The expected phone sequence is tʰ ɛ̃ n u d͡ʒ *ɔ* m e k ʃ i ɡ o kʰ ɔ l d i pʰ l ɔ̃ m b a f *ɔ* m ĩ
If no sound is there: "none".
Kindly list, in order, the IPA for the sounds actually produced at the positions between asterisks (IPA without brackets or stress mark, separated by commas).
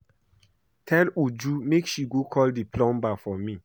u, ɔ